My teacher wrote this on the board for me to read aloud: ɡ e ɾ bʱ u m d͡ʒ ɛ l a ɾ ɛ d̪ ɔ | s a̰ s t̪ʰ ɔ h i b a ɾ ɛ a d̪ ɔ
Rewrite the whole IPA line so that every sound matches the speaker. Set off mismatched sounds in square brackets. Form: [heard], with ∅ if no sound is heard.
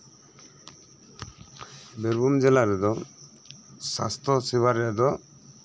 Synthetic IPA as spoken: [b] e ɾ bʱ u m d͡ʒ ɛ l a ɾ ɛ d̪ ɔ | s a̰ s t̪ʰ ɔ [s] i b a ɾ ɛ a d̪ ɔ